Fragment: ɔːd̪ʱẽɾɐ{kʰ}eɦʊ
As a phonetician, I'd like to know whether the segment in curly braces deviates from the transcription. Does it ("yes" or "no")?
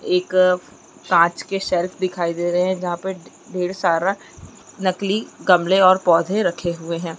no